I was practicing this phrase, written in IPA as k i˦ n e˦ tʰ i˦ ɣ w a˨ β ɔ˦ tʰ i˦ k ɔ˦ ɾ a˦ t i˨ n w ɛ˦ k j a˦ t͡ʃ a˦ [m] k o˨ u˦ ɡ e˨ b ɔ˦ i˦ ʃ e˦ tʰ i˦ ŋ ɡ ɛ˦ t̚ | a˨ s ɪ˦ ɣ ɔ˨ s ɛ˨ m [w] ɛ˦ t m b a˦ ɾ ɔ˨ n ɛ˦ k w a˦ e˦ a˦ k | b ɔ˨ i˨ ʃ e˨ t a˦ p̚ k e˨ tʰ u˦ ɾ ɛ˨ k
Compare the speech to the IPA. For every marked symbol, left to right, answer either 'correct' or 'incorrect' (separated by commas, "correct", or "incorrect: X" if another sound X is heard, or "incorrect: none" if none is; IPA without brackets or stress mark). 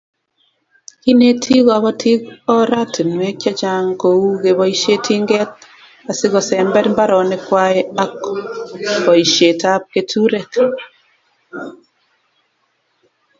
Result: incorrect: ŋ, incorrect: b